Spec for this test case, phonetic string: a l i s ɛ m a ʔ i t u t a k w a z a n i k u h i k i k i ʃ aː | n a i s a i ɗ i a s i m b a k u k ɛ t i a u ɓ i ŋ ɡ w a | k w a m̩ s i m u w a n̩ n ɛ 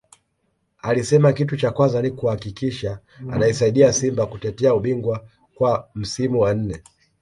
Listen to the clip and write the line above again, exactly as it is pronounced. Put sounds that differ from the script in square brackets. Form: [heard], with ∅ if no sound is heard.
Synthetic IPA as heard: a l i s ɛ m a [k] i t u [t͡ʃ] a k w a z a n i k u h [a] k i k i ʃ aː | n a i s a i ɗ i a s i m b a k u [t] ɛ t [ɛ] a u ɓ i ŋ ɡ w a | k w a m̩ s i m u w a n̩ n ɛ